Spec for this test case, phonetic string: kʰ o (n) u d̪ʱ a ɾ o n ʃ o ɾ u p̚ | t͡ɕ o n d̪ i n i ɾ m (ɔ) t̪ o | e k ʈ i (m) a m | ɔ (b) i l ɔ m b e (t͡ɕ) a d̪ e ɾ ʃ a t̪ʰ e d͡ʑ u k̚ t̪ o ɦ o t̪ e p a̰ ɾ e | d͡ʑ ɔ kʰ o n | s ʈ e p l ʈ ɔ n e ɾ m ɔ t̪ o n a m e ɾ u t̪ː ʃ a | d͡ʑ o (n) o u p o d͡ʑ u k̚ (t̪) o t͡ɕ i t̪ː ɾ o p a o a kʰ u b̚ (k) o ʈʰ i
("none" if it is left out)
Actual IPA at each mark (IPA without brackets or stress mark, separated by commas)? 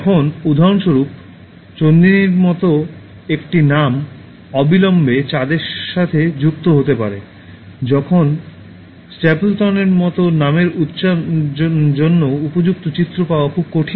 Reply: n, ɔ, n, b, t͡ɕ, nː, t̪, k